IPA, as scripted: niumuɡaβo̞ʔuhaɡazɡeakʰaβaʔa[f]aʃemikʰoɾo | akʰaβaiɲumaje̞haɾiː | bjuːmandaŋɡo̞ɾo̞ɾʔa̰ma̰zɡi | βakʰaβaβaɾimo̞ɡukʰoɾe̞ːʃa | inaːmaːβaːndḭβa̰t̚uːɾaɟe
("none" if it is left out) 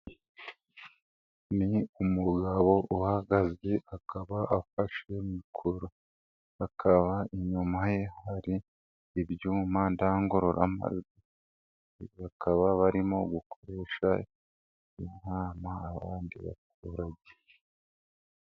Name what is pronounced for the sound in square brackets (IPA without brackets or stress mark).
f